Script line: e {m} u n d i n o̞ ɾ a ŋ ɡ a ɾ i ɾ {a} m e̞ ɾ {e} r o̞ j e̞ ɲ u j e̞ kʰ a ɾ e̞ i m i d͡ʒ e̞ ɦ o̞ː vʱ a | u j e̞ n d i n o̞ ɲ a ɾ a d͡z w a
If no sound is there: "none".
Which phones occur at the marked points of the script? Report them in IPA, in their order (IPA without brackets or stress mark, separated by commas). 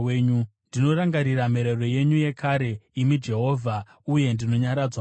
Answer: ɲ, a, e